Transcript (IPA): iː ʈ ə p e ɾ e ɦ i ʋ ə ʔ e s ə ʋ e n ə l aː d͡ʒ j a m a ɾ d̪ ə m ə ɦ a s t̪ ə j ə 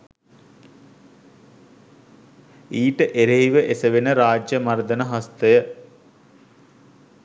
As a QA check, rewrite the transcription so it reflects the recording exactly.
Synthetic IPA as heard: iː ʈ ə ʔ e ɾ e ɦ i ʋ ə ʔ e s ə ʋ e n ə ɾ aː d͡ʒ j ə m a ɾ d̪ ə n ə ɦ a s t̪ ə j ə